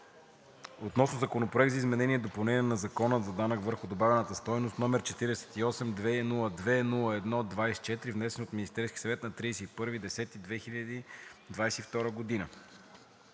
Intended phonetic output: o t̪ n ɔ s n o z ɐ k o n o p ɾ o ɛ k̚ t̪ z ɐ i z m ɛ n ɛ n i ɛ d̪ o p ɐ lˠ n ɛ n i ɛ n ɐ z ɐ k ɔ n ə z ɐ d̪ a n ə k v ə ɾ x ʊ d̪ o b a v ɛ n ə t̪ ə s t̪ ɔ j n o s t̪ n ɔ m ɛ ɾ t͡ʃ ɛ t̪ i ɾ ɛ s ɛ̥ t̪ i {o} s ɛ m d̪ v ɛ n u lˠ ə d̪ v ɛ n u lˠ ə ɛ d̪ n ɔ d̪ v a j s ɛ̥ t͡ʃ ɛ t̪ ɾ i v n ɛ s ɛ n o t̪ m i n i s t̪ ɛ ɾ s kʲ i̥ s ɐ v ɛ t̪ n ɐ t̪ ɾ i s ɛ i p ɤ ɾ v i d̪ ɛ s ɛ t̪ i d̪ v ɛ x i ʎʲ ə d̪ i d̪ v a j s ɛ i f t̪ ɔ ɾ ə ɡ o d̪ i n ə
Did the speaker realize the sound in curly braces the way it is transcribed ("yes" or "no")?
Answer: no